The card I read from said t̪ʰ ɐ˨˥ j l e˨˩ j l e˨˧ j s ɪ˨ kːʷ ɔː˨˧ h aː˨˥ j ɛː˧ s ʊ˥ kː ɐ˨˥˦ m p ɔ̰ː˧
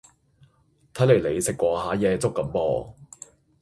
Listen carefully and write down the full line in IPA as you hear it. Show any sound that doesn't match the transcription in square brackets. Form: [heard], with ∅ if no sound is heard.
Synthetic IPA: t̪ʰ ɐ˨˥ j l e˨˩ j l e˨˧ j s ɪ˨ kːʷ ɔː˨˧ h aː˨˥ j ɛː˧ [t͡s] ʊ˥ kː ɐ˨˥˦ m p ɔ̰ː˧